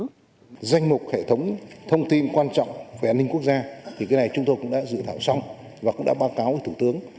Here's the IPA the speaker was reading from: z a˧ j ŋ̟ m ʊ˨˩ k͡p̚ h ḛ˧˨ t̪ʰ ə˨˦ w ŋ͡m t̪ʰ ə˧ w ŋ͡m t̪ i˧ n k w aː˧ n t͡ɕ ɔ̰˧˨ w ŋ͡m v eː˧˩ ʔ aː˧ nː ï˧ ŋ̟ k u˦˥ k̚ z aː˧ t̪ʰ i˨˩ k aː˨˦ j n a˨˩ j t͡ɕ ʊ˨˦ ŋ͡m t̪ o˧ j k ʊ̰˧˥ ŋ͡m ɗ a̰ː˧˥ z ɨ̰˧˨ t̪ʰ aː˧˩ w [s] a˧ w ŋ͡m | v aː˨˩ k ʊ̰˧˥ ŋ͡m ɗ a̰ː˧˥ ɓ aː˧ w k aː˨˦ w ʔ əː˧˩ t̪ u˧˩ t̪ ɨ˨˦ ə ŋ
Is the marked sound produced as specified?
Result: yes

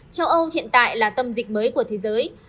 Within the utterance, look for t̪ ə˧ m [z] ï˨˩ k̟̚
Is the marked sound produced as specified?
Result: yes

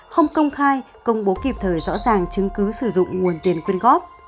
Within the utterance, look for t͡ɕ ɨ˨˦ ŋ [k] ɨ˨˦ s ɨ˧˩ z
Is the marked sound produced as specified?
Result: yes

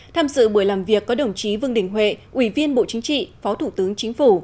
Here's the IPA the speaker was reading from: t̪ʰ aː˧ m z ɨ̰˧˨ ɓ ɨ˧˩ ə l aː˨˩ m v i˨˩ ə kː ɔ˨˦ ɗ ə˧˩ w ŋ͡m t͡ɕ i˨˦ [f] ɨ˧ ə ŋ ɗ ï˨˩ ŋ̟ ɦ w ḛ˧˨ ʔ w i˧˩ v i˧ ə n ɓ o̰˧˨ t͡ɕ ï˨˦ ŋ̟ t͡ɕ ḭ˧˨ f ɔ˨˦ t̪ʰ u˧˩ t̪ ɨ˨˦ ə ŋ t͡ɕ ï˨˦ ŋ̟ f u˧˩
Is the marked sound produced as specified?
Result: no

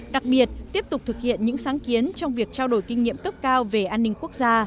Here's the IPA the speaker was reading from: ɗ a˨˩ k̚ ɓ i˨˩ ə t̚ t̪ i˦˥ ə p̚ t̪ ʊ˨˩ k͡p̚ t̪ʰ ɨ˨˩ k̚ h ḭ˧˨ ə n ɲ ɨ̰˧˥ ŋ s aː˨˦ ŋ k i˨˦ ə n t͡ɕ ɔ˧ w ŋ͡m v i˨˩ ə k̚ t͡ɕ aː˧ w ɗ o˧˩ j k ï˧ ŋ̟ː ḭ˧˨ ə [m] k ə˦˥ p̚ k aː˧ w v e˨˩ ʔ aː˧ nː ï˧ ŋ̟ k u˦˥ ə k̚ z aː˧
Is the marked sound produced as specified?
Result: yes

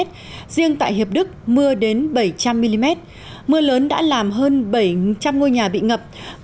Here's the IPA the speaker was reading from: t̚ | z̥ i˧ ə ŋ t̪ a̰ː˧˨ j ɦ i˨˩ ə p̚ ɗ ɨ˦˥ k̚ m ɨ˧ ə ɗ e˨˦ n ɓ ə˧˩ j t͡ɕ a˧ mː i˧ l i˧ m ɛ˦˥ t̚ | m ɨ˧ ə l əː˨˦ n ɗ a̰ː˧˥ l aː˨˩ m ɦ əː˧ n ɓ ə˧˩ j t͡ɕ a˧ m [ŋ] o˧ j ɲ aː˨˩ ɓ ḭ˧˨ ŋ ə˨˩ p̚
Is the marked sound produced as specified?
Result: yes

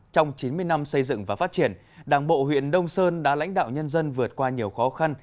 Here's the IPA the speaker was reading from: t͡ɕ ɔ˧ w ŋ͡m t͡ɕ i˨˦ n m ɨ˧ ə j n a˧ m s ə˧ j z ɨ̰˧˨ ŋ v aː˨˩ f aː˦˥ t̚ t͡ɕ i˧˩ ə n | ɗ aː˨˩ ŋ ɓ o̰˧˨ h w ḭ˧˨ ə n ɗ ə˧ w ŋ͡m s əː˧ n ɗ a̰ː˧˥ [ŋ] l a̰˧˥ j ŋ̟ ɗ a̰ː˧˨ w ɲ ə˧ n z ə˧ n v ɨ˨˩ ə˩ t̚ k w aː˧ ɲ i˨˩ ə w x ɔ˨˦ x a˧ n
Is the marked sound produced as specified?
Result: no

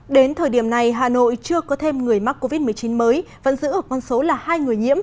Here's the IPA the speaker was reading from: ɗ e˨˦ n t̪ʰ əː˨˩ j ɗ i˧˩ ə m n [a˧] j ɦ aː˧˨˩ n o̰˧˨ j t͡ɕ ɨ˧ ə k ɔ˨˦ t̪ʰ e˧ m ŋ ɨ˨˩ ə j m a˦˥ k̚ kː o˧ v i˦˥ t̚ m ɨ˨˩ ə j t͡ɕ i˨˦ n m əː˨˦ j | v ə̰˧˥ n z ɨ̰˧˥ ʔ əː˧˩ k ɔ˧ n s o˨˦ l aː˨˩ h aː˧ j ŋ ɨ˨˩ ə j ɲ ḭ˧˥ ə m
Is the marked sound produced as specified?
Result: no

